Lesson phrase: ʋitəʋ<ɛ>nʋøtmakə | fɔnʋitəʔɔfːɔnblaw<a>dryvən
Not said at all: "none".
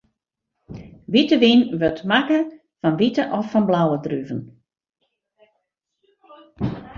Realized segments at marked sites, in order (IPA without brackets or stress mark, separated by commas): i, ə